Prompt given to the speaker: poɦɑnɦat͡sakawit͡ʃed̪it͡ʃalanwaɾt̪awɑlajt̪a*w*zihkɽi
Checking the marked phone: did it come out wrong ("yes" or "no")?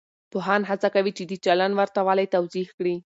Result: no